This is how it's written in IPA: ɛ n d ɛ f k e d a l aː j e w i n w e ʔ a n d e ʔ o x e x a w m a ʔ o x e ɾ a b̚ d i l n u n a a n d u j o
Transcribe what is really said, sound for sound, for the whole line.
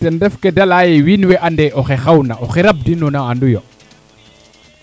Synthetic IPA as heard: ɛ n d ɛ f k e d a l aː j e w i n w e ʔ a n d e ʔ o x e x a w n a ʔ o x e ɾ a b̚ d i n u n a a n d u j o